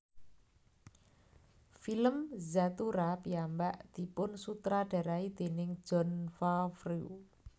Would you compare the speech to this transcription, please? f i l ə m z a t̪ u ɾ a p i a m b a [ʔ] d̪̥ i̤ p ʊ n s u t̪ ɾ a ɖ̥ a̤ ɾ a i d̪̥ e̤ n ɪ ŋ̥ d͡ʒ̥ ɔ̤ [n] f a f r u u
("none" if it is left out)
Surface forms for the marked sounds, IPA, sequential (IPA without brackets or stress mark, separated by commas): ʔ, n